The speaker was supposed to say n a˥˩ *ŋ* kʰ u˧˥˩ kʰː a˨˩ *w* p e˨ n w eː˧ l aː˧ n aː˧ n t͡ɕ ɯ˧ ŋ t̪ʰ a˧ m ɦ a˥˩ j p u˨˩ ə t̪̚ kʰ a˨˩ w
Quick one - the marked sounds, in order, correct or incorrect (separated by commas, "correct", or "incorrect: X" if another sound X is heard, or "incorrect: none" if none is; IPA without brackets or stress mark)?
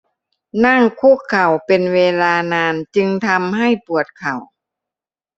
correct, correct